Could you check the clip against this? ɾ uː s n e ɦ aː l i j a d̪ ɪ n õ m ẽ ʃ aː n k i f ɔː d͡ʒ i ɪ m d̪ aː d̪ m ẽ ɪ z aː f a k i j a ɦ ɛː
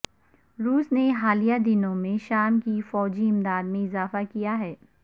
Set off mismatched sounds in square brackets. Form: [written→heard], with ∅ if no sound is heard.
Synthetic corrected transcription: ɾ uː s n e ɦ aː l i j a d̪ ɪ n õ m ẽ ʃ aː [n→m] k i f ɔː d͡ʒ i ɪ m d̪ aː d̪ m ẽ ɪ z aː f a k i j a ɦ ɛː